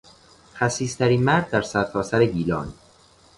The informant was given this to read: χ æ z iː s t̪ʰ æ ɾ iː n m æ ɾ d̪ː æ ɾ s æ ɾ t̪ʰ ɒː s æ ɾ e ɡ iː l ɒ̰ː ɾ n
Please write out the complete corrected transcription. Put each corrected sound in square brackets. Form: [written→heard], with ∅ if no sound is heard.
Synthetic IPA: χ æ [z→s] iː s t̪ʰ æ ɾ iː n m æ ɾ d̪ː æ ɾ s æ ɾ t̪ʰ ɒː s æ ɾ e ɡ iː l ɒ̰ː [ɾ→∅] n

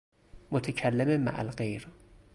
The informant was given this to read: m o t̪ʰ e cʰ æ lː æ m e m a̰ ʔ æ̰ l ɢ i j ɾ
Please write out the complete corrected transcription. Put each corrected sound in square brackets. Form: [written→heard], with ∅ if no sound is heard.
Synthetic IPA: m o t̪ʰ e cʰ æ lː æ m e m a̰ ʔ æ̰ l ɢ [i→e] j ɾ

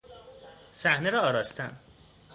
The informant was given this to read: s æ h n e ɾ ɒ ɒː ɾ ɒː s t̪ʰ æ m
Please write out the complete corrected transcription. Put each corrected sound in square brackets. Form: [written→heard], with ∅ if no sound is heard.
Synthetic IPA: s æ h n e ɾ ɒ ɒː ɾ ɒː s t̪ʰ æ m

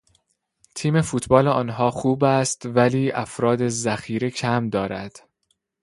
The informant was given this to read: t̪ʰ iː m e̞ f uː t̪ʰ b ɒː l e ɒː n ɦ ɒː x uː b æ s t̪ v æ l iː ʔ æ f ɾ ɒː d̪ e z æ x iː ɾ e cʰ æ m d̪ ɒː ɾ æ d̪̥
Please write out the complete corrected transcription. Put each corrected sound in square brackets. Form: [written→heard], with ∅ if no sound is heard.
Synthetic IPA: t̪ʰ iː m e̞ f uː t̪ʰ b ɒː l e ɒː n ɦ ɒː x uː b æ s t̪ v æ l iː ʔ æ f ɾ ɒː d̪ e z æ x iː ɾ e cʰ æ m d̪ ɒː ɾ æ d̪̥

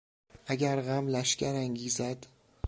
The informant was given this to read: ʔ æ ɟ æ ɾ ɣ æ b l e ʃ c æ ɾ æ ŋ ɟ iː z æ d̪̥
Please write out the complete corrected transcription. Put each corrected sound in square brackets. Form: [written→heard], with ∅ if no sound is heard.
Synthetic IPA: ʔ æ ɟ æ ɾ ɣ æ [b→m] l [e→æ] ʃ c æ ɾ æ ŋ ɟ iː z æ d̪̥

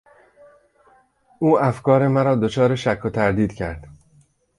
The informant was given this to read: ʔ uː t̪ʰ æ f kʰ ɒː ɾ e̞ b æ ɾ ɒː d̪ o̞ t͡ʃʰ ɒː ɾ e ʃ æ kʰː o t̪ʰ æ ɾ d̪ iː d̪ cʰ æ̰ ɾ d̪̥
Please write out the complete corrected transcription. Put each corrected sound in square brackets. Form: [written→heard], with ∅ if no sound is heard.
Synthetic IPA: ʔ uː [t̪ʰ→∅] æ f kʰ ɒː ɾ e̞ [b→m] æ ɾ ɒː d̪ o̞ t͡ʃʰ ɒː ɾ e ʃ æ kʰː o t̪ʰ æ ɾ d̪ iː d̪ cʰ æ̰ ɾ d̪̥

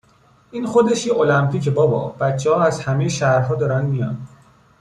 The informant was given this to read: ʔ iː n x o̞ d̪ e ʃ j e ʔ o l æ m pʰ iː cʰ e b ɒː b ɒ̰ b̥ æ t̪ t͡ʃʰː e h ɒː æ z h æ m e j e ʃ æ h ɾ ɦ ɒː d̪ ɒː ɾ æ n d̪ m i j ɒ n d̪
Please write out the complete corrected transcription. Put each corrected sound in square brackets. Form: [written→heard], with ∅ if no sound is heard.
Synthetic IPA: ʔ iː n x o̞ d̪ e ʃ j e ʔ o l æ m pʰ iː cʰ e b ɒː b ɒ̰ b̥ æ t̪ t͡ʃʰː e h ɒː æ z h æ m e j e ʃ æ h ɾ ɦ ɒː d̪ ɒː ɾ æ n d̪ m i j ɒ n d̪

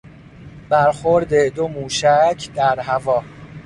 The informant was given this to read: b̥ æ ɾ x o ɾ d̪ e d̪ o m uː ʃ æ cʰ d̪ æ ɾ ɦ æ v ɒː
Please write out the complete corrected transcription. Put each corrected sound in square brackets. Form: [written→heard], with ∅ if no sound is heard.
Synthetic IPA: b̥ æ ɾ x o ɾ d̪ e d̪ o m uː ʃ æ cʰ d̪ æ ɾ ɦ æ v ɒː

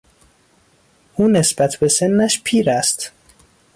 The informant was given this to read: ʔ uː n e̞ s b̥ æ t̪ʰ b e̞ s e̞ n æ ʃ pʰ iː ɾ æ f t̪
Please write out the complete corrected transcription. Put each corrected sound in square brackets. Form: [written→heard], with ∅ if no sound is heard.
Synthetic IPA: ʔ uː n e̞ s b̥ æ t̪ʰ b e̞ s e̞ [n→nː] æ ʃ pʰ iː ɾ æ [f→s] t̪

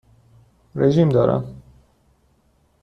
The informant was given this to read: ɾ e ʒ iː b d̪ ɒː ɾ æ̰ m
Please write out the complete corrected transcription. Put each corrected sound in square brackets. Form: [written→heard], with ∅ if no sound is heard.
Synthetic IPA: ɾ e ʒ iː [b→m] d̪ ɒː ɾ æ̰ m

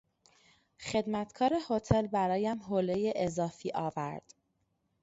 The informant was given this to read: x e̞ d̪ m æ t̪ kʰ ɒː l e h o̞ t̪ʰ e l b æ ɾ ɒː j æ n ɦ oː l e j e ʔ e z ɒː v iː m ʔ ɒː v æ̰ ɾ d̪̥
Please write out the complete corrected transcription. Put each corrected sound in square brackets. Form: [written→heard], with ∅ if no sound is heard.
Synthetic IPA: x e̞ d̪ m æ t̪ kʰ ɒː [l→ɾ] e h o̞ t̪ʰ e l b æ ɾ ɒː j æ [n→m] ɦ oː l e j e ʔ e z ɒː [v→f] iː [m→∅] ʔ ɒː v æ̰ ɾ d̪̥

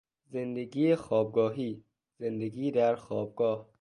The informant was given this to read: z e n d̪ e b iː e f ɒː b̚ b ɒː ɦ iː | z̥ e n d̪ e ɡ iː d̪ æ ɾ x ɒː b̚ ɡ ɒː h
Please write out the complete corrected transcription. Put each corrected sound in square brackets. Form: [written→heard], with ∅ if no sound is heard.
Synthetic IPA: z e n d̪ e [b→ɡ] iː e [f→x] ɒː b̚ [b→ɡ] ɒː ɦ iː | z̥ e n d̪ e ɡ iː d̪ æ ɾ x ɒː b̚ ɡ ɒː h

